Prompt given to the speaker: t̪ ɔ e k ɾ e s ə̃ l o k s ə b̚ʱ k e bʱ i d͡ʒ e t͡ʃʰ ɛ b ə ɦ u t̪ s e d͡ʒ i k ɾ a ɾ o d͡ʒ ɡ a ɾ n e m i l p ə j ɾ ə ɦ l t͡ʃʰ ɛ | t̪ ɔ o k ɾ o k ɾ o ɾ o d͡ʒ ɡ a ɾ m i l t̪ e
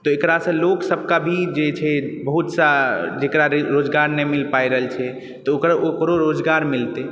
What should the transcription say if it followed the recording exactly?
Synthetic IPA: t̪ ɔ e k ɾ a s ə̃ l o k s ə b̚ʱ k a bʱ i d͡ʒ e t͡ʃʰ ɛ b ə ɦ u t̪ s a d͡ʒ e k ɾ a ɾ o d͡ʒ ɡ a ɾ n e m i l p a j ɾ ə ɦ l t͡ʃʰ ɛ | t̪ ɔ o k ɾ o k ɾ o ɾ o d͡ʒ ɡ a ɾ m i l t̪ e

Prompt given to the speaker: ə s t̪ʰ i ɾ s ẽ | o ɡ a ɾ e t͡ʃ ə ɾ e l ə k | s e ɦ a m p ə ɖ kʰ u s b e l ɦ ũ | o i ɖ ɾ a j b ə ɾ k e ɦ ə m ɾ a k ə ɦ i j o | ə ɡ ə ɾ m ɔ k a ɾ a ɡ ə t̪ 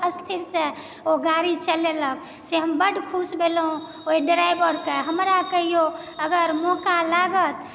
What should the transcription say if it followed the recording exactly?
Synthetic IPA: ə s t̪ʰ i ɾ s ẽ | o ɡ a ɾ i t͡ʃ ə l e l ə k | s e ɦ ə m b ə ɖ kʰ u s b e l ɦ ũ | o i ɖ ɾ a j b ə ɾ k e ɦ ə m ɾ a k ə ɦ i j o | ə ɡ ə ɾ m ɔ k a l a ɡ ə t̪

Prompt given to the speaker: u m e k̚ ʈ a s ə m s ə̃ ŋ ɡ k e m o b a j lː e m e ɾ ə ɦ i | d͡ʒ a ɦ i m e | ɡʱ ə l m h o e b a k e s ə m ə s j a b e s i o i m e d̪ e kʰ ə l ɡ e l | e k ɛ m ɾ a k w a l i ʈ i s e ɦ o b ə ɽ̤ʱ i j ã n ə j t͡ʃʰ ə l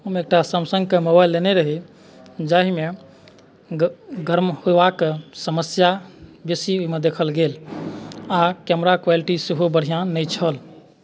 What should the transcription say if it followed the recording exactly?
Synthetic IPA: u m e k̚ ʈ a s ə m s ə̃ ŋ ɡ k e m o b a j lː e n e ɾ ə ɦ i | d͡ʒ a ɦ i m e | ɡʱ ə ɾ m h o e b a k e s ə m ə s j a b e s i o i m e d̪ e kʰ ə l ɡ e l | a k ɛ m ɾ a k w a l i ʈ i s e ɦ o b ə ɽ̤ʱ i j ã n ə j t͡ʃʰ ə l

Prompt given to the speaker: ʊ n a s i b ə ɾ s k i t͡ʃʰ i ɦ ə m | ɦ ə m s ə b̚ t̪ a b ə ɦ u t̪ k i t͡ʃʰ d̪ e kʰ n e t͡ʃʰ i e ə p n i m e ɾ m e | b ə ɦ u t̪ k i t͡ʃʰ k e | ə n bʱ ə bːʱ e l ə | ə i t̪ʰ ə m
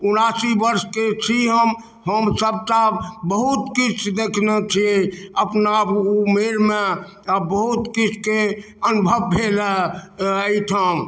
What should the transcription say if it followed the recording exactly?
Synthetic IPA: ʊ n a s i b ə ɾ s k e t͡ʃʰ i ɦ ə m | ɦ ə m s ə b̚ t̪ a b ə ɦ u t̪ k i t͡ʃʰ d̪ e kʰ n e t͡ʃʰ i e ə p n a m e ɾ m e | b ə ɦ u t̪ k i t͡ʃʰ k e | ə n bʱ ə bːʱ e l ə | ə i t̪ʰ ə m

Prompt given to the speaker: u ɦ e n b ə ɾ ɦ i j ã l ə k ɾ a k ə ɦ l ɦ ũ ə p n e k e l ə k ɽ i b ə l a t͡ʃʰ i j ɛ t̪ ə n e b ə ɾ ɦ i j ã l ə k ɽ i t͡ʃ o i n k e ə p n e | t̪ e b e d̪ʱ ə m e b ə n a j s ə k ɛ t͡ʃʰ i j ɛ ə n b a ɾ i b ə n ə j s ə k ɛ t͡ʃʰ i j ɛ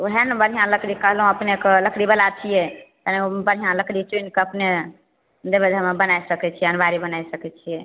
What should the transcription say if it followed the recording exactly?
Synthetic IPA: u ɦ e n b ə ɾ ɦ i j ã l ə k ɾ i k ə ɦ l ɦ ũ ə p n e k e l ə k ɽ i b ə l a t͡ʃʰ i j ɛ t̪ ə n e b ə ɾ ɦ i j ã l ə k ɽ i t͡ʃ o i n k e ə p n e | d̪ e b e d̪ʱ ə m e b ə n a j s ə k ɛ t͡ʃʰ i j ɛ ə n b a ɾ i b ə n a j s ə k ɛ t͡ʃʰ i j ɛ

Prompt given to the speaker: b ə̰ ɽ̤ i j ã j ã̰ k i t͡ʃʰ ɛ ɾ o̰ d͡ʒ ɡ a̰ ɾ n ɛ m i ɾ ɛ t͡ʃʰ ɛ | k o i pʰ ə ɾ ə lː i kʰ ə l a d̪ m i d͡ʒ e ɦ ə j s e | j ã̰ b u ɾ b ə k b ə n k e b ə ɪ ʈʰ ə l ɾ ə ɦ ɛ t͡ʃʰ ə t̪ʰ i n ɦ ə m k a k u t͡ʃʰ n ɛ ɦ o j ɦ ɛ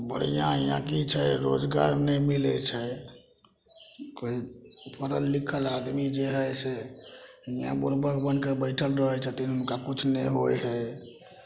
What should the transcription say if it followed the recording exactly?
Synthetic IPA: b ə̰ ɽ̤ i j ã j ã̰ k i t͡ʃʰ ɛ ɾ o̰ d͡ʒ ɡ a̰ ɾ n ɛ m i l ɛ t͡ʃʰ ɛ | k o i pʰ ə ɾ ə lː i kʰ ə l a d̪ m i d͡ʒ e ɦ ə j s e | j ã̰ b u ɾ b ə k b ə n k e b ə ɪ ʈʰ ə l ɾ ə ɦ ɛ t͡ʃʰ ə t̪ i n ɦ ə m k a k u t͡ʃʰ n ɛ ɦ o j ɦ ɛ

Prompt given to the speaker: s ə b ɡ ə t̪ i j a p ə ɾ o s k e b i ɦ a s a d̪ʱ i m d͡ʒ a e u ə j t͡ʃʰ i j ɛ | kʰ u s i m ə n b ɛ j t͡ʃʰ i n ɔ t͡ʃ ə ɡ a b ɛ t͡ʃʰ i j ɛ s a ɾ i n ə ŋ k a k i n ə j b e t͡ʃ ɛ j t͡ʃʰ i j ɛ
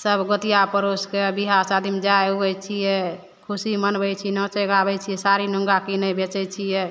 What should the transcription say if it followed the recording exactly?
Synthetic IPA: s ə b ɡ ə t̪ i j a p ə ɾ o s k e b i ɦ a s a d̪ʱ i m d͡ʒ a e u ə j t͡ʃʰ i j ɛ | kʰ u s i m ə n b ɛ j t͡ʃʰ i n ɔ t͡ʃ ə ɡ a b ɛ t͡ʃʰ i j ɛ s a ɾ i n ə ŋ ɡ a k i n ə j b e t͡ʃ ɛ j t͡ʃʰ i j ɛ

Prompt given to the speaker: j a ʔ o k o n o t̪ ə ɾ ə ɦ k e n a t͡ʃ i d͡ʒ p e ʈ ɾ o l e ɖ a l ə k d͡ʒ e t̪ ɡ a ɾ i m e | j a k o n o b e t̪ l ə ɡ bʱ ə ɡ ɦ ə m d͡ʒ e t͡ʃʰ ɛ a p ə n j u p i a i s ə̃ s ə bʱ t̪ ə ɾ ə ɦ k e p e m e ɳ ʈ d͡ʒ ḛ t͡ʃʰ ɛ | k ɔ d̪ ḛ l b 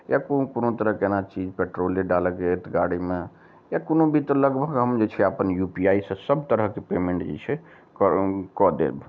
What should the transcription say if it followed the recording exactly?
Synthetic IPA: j a k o k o n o t̪ ə ɾ ə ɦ k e n a t͡ʃ i d͡ʒ p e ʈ ɾ o l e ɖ a l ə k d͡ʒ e t̪ ɡ a ɽ i m e | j a k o n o b i t̪ l ə ɡ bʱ ə ɡ ɦ ə m d͡ʒ e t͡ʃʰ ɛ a p ə n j u p i a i s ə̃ s ə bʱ t̪ ə ɾ ə ɦ k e p e m e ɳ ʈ d͡ʒ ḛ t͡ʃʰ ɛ | k ɔ d̪ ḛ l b

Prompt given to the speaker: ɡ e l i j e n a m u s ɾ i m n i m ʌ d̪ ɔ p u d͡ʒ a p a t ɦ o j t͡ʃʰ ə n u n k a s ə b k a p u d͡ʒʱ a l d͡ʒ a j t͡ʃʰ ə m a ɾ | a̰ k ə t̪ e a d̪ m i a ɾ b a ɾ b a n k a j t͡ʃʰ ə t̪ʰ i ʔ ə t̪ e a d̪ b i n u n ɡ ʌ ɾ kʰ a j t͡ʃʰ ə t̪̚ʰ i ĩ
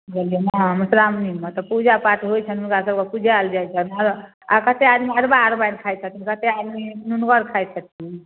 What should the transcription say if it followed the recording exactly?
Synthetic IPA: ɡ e l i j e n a m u s ɾ a m n i m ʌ t̪ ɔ p u d͡ʒ a p a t ɦ o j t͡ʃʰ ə n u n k a s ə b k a p u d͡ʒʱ a l d͡ʒ a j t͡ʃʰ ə n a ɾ | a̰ k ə t̪ e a d̪ m i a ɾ b a ɾ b a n kʰ a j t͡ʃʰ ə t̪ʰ i k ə t̪ e a d̪ m i n u n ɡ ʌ ɾ kʰ a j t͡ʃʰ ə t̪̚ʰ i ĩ

